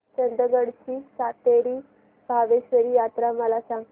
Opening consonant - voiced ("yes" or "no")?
no